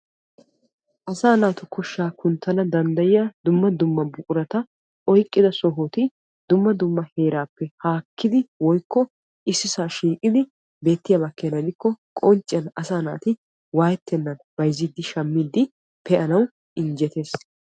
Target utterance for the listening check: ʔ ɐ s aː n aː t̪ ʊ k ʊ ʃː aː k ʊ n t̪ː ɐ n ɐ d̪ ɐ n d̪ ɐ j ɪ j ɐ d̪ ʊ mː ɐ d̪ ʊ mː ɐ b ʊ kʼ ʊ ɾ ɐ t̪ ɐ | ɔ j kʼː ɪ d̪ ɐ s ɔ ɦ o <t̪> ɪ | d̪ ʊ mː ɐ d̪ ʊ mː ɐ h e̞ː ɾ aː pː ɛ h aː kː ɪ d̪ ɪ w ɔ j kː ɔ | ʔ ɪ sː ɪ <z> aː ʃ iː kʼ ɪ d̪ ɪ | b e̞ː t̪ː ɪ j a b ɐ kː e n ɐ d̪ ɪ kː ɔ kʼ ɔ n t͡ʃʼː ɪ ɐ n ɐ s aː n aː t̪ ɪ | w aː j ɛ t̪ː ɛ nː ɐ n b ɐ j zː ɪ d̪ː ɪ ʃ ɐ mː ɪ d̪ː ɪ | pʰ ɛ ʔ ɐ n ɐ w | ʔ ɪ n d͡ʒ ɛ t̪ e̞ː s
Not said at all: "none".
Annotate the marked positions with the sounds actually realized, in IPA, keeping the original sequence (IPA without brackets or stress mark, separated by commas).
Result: t̪, s